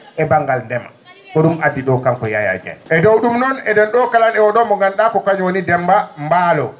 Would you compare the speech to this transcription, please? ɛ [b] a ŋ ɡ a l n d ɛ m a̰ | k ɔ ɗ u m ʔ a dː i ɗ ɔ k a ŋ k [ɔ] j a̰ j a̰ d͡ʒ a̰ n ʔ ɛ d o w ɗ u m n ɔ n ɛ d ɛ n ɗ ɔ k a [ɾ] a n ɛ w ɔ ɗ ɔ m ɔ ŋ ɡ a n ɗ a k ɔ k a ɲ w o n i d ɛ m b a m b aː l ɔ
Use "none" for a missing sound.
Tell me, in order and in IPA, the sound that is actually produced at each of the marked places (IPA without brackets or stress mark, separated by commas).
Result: b, ɔ, l